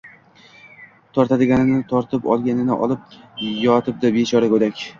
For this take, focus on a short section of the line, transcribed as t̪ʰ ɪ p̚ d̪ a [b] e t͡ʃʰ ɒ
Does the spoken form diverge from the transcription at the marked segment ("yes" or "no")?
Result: no